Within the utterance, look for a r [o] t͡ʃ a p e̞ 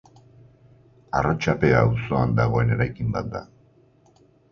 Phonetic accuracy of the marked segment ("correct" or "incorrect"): correct